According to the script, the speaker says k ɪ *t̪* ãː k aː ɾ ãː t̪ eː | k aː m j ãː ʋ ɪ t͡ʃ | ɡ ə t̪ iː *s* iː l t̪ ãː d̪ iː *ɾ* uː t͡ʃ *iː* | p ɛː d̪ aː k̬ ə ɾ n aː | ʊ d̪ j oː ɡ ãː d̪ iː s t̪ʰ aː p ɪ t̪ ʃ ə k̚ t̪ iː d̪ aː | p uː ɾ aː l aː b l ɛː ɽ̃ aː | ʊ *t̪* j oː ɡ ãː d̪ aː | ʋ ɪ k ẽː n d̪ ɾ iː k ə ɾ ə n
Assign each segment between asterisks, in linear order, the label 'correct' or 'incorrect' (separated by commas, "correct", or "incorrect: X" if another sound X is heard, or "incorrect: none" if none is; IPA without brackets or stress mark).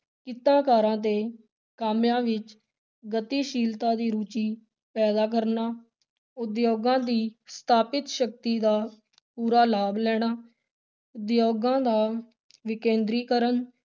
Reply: correct, incorrect: ʃ, correct, correct, incorrect: d̪